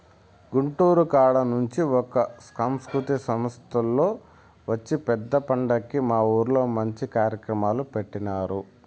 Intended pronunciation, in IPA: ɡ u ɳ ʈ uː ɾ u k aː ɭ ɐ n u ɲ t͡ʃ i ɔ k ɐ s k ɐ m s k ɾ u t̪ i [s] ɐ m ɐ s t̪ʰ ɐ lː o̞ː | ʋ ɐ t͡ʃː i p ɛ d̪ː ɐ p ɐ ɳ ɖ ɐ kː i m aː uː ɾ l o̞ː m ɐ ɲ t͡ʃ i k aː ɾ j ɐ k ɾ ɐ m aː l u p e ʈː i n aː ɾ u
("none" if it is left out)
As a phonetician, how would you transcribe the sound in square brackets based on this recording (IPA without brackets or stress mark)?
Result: s